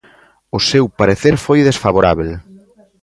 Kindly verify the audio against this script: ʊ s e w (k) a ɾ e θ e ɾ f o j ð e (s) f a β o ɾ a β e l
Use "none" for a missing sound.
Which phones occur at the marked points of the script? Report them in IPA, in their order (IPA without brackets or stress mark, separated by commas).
p, s